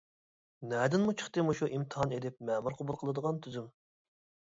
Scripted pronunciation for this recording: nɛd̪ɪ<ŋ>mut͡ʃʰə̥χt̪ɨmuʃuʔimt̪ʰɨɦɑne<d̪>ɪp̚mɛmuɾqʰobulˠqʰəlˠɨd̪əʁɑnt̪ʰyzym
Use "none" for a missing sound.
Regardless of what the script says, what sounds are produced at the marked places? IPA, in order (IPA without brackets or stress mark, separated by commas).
n, d̪